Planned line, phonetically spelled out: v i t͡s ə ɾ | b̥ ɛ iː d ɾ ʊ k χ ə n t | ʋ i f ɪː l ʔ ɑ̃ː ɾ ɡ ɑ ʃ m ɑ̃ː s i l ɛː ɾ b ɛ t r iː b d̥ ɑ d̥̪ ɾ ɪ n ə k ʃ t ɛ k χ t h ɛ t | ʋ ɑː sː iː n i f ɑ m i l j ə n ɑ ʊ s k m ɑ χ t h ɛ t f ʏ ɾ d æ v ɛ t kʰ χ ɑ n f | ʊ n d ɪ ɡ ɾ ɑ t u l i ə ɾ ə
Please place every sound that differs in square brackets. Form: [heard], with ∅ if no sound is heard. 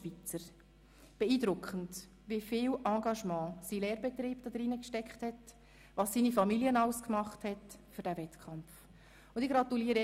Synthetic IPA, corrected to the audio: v i t͡s ə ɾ | b̥ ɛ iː d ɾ ʊ k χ ə n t | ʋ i f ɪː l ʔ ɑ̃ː [∅] ɡ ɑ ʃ m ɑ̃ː s i l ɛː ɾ b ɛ t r iː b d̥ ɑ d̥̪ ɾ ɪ n ə k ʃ t ɛ k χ t h ɛ t | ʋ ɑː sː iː n i f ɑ m i l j ə n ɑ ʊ s k m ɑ χ t h ɛ t f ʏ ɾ d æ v ɛ t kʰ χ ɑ [m] f | ʊ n d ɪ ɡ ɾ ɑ t u l i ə ɾ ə